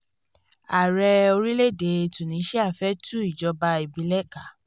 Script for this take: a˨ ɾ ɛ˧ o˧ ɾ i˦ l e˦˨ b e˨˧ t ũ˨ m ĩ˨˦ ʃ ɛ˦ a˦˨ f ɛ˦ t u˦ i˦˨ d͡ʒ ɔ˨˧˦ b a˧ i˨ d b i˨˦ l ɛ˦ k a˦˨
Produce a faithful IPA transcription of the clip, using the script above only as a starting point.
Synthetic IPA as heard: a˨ ɾ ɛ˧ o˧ ɾ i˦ l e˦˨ d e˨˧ t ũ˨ n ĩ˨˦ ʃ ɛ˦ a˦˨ f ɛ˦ t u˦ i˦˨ d͡ʒ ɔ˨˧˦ b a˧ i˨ b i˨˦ l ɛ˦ k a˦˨